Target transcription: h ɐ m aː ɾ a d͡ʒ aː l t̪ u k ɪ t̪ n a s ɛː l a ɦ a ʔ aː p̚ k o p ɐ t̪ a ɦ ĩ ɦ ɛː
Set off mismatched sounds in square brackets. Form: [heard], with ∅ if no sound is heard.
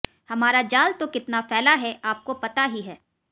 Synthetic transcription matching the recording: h ɐ m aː ɾ a d͡ʒ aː l t̪ [o] k ɪ t̪ n a [f] ɛː l a ɦ [ɛ] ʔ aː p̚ k o p ɐ t̪ a ɦ [i] ɦ ɛː

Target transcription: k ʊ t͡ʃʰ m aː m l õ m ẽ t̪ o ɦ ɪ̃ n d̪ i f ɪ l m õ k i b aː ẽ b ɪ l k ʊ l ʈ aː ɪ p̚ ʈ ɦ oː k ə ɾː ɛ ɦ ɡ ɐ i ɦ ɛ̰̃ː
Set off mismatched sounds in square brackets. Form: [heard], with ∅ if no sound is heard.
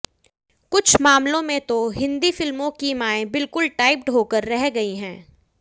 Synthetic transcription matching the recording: k ʊ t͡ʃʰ m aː m l õ m ẽ t̪ o ɦ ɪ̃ n d̪ i f ɪ l m õ k i [m] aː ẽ b ɪ l k ʊ l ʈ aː ɪ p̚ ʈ ɦ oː k ə ɾː ɛ ɦ ɡ ɐ i ɦ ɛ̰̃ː

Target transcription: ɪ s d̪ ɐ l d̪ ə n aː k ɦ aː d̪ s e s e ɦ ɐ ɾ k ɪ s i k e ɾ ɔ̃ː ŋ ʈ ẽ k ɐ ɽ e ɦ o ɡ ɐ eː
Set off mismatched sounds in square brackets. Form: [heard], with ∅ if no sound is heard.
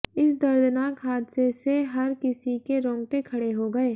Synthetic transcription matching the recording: ɪ s d̪ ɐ [ɾ] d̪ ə n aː k ɦ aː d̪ s e s e ɦ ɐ ɾ k ɪ s i k e ɾ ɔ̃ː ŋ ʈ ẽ [kʰ] ɐ ɽ e ɦ o ɡ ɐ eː

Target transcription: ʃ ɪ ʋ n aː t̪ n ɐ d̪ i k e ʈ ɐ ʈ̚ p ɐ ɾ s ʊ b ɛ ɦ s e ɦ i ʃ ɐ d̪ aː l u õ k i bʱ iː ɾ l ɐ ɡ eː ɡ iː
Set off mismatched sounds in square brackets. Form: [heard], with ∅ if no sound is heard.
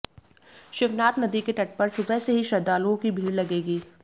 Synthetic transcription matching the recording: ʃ ɪ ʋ n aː t̪ n ɐ d̪ i k e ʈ ɐ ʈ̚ p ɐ ɾ s ʊ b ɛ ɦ s e ɦ i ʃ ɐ d̪ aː l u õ k i bʱ iː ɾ l ɐ ɡ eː ɡ iː

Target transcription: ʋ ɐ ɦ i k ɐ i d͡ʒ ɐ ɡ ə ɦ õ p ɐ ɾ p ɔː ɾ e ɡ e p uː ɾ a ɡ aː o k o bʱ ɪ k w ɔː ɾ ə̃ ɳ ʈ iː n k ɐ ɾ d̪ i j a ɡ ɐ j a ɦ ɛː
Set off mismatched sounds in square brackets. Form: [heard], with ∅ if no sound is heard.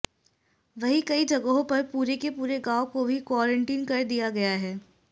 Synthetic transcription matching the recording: ʋ ɐ ɦ i k ɐ i d͡ʒ ɐ ɡ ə ɦ õ p ɐ ɾ p [uː] ɾ e [k] e p uː ɾ [e] ɡ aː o k o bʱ [i] k w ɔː ɾ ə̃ ɳ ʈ iː n k ɐ ɾ d̪ i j a ɡ ɐ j a ɦ ɛː

